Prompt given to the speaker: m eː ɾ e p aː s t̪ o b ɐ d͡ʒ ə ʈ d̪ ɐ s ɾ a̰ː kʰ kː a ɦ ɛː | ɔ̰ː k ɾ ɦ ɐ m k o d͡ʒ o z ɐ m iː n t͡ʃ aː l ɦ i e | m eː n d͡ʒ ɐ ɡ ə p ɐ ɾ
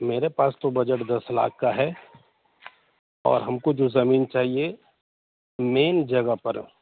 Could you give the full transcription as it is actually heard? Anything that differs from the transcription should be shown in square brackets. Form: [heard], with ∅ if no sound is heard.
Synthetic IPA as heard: m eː ɾ e p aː s t̪ o b ɐ d͡ʒ ə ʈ d̪ ɐ s [l] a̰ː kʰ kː a ɦ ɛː | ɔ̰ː [∅] ɾ ɦ ɐ m k o d͡ʒ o z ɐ m iː n t͡ʃ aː [∅] ɦ i e | m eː n d͡ʒ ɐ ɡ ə p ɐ ɾ

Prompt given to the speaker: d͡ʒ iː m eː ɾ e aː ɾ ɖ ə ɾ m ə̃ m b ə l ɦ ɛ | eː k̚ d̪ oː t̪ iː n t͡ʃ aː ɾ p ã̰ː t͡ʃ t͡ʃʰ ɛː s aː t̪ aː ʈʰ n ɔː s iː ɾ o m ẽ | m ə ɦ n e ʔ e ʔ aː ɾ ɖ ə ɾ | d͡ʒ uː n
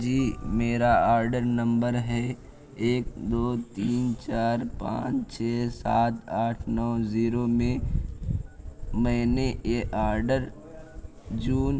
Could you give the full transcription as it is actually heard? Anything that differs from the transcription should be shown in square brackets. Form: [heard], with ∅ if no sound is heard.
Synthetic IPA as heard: d͡ʒ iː m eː ɾ [a] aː ɾ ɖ ə ɾ [n] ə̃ m b ə [ɾ] ɦ ɛ | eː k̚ d̪ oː t̪ iː n t͡ʃ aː ɾ p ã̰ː t͡ʃ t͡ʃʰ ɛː s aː t̪ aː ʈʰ n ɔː [z] iː ɾ o m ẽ | m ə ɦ n e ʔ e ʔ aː ɾ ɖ ə ɾ | d͡ʒ uː n

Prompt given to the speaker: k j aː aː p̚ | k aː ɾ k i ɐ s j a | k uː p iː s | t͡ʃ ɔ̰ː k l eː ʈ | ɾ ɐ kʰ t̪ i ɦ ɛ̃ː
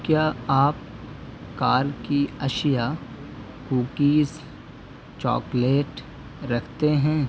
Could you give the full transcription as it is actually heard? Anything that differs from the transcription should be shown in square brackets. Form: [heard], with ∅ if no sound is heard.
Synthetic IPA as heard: k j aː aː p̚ | k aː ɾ k i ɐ [ʃ] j a | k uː [k] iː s | t͡ʃ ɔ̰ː k l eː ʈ | ɾ ɐ kʰ t̪ [e] ɦ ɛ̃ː

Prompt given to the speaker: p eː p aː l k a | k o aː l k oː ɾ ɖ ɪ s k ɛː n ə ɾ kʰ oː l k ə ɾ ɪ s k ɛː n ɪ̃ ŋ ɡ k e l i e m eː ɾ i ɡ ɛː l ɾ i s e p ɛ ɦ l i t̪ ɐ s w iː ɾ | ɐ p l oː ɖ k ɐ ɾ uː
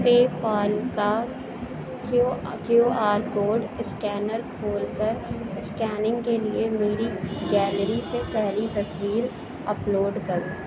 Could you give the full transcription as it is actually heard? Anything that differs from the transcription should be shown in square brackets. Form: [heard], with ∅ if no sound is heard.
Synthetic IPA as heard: p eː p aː l k a | k o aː [ɾ] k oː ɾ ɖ ɪ s k ɛː n ə ɾ kʰ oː l k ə ɾ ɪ s k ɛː n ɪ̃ ŋ ɡ k e l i e m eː ɾ i ɡ ɛː l ɾ i s e p ɛ ɦ l i t̪ ɐ s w iː ɾ | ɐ p l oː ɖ k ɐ ɾ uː

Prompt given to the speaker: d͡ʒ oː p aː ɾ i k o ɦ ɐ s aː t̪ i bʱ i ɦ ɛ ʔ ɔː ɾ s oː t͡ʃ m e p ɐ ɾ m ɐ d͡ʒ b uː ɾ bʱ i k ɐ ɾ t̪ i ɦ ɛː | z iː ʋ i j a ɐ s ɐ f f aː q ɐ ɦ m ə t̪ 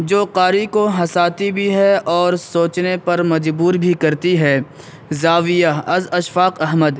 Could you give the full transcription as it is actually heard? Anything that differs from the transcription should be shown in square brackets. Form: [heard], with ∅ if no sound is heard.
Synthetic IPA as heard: d͡ʒ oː [q] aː ɾ i k o ɦ ɐ s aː t̪ i bʱ i ɦ ɛ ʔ ɔː ɾ s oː t͡ʃ [n] e p ɐ ɾ m ɐ d͡ʒ b uː ɾ bʱ i k ɐ ɾ t̪ i ɦ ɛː | z [aː] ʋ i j a ɐ [z] ɐ [ʃ] f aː q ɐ ɦ m ə [d̪]

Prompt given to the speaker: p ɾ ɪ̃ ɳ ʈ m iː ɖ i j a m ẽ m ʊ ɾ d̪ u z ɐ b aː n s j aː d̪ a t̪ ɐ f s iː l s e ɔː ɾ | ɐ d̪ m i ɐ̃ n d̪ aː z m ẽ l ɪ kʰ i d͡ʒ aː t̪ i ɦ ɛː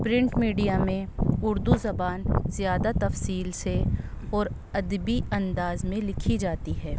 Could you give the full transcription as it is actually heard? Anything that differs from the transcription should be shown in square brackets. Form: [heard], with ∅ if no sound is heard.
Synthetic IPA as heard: p ɾ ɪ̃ ɳ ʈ m iː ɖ i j a m ẽ [∅] ʊ ɾ d̪ u z ɐ b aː n [z] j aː d̪ a t̪ ɐ f s iː l s e ɔː ɾ | ɐ d̪ [b] i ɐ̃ n d̪ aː z m ẽ l ɪ kʰ i d͡ʒ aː t̪ i ɦ ɛː

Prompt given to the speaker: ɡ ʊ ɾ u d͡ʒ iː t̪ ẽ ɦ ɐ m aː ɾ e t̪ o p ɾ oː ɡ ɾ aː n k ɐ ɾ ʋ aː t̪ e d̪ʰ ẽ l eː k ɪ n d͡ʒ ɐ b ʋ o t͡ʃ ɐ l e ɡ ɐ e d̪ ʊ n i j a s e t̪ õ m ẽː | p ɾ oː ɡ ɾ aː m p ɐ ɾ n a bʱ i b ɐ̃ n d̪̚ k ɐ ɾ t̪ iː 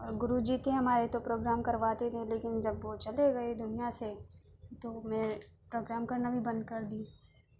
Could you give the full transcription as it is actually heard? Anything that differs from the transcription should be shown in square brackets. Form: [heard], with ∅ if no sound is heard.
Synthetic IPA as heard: ɡ ʊ ɾ u d͡ʒ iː t̪ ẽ ɦ ɐ m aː ɾ e t̪ o p ɾ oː ɡ ɾ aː [m] k ɐ ɾ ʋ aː t̪ e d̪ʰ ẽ l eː k ɪ n d͡ʒ ɐ b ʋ o t͡ʃ ɐ l e ɡ ɐ e d̪ ʊ n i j a s e t̪ [o] m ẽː | p ɾ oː ɡ ɾ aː m [k] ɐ ɾ n a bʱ i b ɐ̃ n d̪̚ k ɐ ɾ [d̪] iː

